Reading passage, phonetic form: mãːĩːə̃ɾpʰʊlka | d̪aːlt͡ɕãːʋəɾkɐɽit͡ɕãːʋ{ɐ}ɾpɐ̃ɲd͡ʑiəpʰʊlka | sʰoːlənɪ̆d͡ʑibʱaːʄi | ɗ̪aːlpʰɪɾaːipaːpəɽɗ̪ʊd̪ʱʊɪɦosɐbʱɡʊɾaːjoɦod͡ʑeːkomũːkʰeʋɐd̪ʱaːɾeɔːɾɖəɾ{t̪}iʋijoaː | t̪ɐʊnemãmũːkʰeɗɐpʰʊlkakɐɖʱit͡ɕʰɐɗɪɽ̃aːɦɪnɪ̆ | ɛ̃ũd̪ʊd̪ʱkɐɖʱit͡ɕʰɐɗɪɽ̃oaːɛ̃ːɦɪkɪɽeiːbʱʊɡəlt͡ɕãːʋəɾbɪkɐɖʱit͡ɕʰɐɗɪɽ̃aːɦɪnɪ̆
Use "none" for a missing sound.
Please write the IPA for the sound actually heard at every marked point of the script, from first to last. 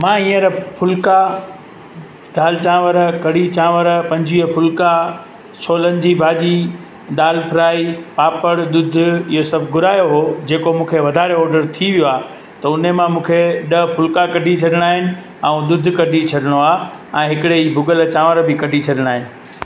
ə, t̪ʰ

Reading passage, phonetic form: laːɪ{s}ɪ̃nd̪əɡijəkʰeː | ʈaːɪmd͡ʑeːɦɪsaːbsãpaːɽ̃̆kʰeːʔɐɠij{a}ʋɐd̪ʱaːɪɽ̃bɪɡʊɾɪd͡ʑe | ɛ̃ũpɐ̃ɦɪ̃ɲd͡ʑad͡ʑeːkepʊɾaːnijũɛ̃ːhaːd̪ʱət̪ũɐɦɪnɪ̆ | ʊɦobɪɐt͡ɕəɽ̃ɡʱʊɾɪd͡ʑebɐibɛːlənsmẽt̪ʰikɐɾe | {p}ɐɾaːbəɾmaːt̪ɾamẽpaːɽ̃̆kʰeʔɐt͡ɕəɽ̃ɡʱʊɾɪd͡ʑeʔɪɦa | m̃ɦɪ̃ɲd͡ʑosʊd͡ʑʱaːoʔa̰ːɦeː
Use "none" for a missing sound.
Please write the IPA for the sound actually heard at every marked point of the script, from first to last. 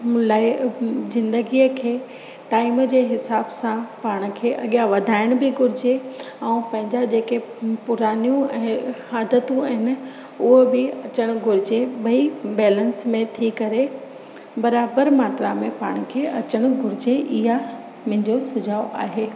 z, a, b

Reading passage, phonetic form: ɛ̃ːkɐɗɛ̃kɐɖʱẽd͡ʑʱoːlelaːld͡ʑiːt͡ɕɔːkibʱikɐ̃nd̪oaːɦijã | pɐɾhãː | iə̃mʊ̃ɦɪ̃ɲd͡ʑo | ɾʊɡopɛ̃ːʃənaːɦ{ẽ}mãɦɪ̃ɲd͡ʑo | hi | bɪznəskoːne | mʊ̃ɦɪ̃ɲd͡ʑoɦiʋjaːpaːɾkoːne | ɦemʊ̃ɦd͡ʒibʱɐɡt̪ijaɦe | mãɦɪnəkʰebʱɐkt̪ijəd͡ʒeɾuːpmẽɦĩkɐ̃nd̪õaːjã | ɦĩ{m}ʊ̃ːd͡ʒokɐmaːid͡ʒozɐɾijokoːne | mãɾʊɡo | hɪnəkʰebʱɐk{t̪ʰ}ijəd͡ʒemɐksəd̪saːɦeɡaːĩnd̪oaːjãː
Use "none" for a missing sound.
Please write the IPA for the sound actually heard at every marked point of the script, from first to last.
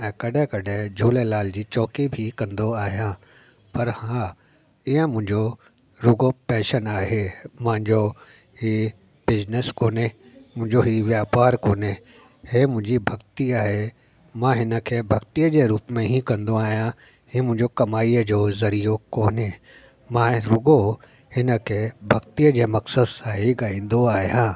e, m, t̪

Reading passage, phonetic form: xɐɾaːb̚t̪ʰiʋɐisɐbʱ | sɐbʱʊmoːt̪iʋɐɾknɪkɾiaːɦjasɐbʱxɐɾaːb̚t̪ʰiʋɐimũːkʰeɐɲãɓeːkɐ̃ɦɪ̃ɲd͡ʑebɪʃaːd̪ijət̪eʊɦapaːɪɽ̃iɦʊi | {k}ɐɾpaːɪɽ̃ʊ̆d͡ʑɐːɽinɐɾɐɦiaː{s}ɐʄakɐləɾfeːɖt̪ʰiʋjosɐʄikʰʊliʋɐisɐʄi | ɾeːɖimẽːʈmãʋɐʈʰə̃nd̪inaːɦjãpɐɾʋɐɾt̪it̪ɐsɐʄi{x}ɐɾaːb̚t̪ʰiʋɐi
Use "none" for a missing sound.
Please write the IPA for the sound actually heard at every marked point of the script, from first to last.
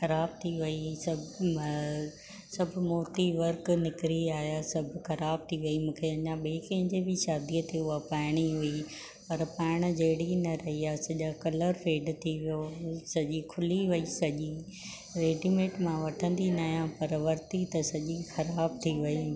p, s, x

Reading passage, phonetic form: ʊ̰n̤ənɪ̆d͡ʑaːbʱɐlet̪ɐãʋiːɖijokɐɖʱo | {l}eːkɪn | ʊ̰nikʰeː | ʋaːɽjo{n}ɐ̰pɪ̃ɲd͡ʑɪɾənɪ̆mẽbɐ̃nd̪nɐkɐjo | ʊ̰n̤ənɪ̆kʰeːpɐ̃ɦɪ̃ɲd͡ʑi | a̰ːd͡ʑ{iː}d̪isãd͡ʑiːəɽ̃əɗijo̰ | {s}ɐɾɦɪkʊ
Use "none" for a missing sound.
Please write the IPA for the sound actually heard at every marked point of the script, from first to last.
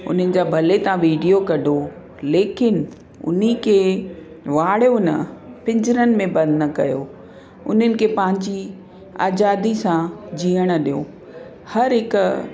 l, n, aː, h

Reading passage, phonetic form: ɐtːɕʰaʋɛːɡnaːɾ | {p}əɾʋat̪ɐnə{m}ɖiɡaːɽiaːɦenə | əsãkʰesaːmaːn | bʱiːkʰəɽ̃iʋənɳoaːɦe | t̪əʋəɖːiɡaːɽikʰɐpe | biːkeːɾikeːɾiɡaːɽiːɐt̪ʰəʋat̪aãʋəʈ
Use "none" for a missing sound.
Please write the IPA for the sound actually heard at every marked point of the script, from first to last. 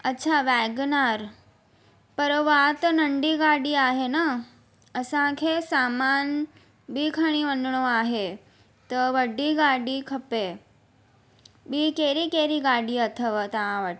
p, ɳ

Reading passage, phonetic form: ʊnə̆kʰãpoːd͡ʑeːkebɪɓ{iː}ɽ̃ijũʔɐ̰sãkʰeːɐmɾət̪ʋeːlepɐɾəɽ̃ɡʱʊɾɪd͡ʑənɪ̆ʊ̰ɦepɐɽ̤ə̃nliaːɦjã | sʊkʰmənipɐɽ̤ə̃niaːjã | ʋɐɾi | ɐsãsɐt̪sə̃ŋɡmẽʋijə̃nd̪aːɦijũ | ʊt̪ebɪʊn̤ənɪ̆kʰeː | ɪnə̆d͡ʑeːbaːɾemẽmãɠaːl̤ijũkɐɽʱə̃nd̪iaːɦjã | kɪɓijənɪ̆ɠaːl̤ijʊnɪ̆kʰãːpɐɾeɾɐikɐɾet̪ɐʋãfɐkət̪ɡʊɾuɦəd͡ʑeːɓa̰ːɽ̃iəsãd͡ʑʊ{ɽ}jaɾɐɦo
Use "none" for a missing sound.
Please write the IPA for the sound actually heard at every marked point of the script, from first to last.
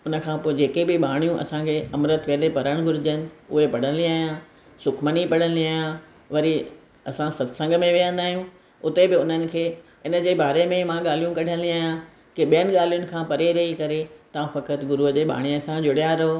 aː, ɽ

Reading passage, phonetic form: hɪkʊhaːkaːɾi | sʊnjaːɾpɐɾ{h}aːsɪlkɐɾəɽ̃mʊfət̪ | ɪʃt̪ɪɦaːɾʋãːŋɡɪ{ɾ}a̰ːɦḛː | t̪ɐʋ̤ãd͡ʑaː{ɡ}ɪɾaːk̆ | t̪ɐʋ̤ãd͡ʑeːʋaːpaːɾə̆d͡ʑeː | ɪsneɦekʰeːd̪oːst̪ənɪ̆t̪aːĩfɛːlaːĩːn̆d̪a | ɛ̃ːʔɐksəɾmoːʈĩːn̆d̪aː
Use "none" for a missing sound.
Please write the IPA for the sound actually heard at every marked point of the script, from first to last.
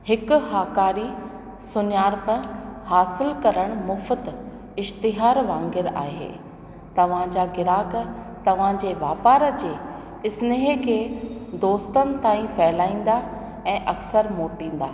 h, ɾ, ɡ

